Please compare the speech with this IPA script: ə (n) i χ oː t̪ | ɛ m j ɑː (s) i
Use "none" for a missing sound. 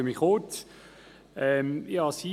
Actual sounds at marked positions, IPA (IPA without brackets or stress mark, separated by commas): m, s